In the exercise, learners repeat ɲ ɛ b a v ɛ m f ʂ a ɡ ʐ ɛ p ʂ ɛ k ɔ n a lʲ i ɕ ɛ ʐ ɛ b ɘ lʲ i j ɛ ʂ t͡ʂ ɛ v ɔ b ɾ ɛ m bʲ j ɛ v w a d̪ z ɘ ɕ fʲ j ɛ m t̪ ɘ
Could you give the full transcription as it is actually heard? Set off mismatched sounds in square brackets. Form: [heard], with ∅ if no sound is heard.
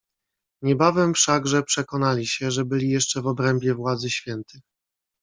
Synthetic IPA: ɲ ɛ b a v ɛ m f ʂ a ɡ ʐ ɛ p ʂ ɛ k ɔ n a lʲ i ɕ ɛ ʐ ɛ b ɘ lʲ i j ɛ ʂ t͡ʂ ɛ v ɔ b ɾ ɛ m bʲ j ɛ v w a d̪ z ɘ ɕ fʲ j ɛ [n] t̪ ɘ